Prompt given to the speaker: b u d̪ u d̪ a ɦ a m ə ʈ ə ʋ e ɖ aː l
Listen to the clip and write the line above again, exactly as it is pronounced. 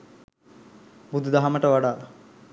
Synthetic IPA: b u d̪ u d̪ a ɦ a m ə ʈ ə ʋ a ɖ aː l

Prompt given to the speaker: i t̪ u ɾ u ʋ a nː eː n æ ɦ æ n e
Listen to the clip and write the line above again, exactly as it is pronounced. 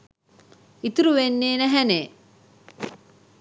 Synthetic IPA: i t̪ u ɾ u ʋ e nː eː n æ ɦ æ n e

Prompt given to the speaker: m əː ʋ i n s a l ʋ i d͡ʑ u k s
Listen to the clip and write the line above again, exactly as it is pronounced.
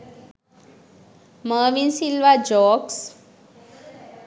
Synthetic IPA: m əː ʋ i n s i l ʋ a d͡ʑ ɔ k s

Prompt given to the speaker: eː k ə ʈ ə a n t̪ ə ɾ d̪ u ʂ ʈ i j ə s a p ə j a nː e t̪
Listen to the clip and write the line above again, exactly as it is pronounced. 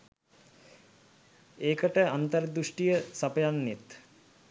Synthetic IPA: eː k ə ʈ ə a n t̪ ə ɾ d̪ u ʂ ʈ i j ə s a p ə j a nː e t̪

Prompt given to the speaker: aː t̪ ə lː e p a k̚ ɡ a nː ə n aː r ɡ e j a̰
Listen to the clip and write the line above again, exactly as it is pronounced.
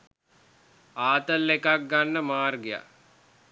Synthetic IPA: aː t̪ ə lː e k a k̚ ɡ a nː ə m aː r ɡ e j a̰

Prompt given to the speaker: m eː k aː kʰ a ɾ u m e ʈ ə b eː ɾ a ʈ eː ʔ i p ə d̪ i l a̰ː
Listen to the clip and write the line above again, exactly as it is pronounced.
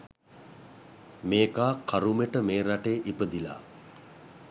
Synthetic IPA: m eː k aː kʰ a ɾ u m e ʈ ə m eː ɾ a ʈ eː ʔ i p ə d̪ i l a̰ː

